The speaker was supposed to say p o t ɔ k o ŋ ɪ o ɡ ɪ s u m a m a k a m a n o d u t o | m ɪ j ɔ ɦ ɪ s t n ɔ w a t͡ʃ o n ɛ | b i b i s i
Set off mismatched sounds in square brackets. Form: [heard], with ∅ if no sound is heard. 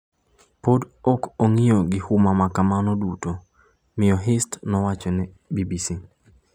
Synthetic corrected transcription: p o [d] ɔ k o ŋ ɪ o ɡ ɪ [h] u m a m a k a m a n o d u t o | m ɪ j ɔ ɦ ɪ s t n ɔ w a t͡ʃ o n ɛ | b i b i s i